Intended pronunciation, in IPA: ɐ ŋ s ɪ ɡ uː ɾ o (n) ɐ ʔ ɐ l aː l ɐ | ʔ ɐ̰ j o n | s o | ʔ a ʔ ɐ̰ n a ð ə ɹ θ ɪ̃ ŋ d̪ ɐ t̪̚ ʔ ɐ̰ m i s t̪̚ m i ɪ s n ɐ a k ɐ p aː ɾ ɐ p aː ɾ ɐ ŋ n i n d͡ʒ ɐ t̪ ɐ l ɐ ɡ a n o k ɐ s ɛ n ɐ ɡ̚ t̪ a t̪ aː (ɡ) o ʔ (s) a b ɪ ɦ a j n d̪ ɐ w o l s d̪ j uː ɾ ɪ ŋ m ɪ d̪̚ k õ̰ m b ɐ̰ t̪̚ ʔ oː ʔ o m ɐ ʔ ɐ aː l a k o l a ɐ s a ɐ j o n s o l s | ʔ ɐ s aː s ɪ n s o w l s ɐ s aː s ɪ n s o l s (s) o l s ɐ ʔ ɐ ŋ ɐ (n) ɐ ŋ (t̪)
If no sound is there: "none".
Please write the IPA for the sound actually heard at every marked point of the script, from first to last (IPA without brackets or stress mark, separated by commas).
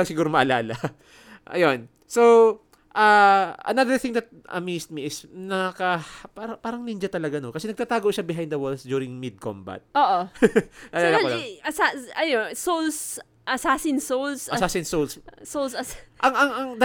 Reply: m, ɡ, ʃ, s, ŋ, d̪